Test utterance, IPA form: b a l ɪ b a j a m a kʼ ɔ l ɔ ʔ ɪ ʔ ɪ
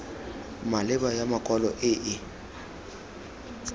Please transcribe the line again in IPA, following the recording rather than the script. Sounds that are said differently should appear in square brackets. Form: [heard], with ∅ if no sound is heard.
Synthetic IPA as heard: [m] a l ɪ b a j a m a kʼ ɔ l ɔ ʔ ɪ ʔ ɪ